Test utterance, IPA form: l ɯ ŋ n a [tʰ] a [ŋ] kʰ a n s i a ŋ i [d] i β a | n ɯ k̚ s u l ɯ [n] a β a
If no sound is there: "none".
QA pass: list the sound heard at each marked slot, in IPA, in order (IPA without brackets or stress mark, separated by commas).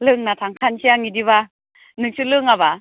tʰ, ŋ, d, ŋ